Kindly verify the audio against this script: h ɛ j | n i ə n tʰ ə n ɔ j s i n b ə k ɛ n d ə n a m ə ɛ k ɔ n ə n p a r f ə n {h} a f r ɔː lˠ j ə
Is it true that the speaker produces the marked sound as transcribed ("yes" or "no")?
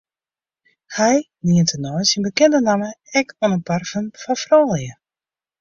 no